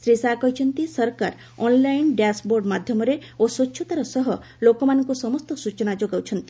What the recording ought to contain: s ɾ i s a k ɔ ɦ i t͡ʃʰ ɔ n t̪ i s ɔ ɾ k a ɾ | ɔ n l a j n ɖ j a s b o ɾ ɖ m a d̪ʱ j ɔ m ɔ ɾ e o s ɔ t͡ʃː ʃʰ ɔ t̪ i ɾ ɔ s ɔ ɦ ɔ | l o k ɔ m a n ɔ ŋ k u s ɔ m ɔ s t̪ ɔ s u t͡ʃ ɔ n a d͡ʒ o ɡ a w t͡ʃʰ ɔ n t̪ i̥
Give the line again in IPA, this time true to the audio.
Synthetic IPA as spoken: s ɾ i s a k ɔ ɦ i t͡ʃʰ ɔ n t̪ i s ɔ ɾ k a ɾ | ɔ n l a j n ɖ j a s b o ɾ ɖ m a d̪ʱ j ɔ m ɔ ɾ e o s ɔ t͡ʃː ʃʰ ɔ t̪ a ɾ ɔ s ɔ ɦ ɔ | l o k ɔ m a n ɔ ŋ k u s ɔ m ɔ s t̪ ɔ s u t͡ʃ ɔ n a d͡ʒ o ɡ a w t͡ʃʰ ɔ n t̪ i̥